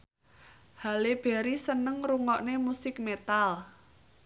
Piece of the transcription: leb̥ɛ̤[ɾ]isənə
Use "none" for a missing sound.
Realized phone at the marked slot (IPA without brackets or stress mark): ɾ